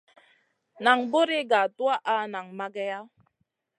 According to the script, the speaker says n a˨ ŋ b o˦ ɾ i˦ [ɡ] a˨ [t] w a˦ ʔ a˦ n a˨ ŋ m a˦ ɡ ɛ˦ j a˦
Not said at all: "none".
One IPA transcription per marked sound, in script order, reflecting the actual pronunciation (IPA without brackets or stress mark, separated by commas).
ɡ, t